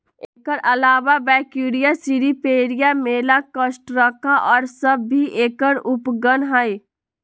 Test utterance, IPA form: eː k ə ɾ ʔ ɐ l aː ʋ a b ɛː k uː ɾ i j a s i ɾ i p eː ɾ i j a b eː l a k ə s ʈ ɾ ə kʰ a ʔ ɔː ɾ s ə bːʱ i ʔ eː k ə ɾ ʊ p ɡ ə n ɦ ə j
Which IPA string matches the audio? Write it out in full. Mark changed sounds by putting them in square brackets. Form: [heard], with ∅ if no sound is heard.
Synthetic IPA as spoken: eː k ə ɾ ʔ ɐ l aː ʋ a b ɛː k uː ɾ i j a s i ɾ i p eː ɾ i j a [m] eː l a k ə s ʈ ɾ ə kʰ a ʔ ɔː ɾ s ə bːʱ i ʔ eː k ə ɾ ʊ p ɡ ə n ɦ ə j